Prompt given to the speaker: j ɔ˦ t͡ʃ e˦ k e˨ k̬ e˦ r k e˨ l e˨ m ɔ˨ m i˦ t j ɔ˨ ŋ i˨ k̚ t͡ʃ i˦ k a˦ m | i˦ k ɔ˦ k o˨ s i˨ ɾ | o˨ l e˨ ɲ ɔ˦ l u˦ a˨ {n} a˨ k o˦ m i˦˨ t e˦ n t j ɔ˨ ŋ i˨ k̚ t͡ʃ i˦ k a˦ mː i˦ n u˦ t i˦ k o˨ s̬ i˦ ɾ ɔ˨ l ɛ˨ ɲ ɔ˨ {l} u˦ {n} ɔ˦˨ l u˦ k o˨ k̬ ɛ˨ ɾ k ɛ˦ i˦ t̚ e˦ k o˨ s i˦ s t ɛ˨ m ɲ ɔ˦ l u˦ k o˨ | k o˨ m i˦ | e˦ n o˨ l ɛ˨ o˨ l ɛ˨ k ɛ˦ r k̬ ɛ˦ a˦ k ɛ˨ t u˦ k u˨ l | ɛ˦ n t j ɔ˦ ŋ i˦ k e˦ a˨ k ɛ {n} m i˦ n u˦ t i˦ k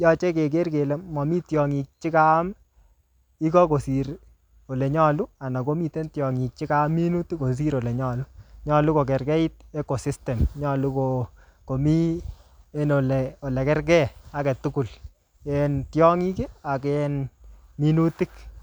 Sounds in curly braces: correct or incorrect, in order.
correct, correct, incorrect: ɲ, correct

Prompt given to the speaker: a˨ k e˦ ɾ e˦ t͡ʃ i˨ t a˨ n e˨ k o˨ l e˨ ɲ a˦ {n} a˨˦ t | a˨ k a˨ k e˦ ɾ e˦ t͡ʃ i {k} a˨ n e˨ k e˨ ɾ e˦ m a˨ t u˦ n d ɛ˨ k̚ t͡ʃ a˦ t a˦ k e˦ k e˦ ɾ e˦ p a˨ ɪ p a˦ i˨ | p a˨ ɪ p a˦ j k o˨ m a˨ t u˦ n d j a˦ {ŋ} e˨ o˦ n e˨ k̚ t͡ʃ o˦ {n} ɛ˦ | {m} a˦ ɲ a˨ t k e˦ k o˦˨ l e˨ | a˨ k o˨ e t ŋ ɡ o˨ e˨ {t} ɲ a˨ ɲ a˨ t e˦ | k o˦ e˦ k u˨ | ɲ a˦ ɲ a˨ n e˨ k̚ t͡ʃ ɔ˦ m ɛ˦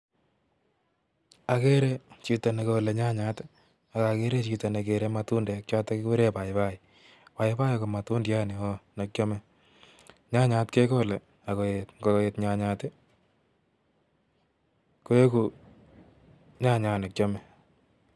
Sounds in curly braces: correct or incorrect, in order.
incorrect: ɲ, incorrect: t, incorrect: n, incorrect: m, incorrect: ɲ, correct

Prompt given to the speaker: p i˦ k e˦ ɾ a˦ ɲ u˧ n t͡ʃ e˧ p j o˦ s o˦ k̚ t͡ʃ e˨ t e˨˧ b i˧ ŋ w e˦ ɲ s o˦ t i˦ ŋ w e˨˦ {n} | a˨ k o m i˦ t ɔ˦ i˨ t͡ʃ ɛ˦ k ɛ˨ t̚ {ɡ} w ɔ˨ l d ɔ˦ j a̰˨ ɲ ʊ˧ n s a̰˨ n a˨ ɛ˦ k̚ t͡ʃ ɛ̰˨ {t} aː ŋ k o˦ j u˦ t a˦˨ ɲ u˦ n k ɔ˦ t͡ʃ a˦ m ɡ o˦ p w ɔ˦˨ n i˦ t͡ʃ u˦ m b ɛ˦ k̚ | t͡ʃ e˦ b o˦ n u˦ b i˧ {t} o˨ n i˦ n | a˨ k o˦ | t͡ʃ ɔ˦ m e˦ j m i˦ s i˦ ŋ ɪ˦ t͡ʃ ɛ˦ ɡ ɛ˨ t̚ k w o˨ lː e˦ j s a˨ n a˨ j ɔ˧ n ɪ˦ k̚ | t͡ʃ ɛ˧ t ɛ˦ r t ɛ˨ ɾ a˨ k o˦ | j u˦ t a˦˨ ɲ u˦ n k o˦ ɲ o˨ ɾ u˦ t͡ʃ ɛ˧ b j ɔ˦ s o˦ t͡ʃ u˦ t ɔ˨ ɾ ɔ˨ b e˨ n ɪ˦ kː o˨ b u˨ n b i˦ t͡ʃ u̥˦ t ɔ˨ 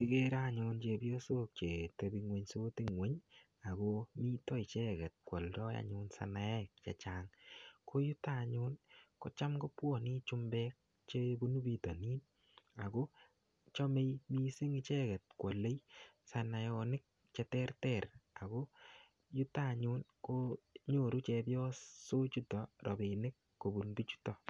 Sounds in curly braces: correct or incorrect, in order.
incorrect: ɲ, incorrect: k, incorrect: t͡ʃ, correct

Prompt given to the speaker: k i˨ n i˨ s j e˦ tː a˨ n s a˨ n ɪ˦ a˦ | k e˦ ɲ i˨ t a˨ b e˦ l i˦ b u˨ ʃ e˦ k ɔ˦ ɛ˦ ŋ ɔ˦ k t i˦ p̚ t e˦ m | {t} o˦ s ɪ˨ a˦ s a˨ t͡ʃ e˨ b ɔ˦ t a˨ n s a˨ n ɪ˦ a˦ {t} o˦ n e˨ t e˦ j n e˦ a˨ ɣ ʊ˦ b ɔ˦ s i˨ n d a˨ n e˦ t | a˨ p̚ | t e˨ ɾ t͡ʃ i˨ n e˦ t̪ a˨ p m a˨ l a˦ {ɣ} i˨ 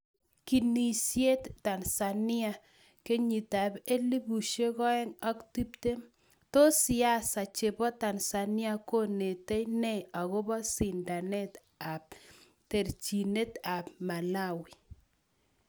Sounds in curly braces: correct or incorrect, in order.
correct, incorrect: k, incorrect: w

